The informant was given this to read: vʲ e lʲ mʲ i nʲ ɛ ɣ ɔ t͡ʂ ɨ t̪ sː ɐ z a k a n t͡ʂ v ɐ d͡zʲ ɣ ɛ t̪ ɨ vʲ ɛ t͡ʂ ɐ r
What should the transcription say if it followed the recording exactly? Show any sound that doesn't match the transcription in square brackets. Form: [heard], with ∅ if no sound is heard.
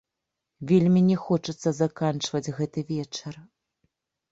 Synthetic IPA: vʲ e lʲ mʲ i nʲ ɛ [x] ɔ t͡ʂ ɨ t̪ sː ɐ z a k a n t͡ʂ v ɐ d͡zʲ ɣ ɛ t̪ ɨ vʲ ɛ t͡ʂ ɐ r